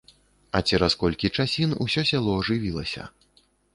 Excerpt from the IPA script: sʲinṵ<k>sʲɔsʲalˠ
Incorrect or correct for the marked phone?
incorrect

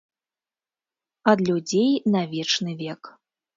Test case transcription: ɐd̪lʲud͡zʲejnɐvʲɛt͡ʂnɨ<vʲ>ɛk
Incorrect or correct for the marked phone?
correct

